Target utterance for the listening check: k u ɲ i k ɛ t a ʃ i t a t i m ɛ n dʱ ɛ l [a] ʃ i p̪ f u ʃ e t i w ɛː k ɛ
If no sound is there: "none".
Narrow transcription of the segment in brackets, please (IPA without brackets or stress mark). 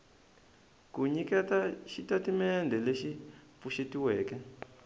e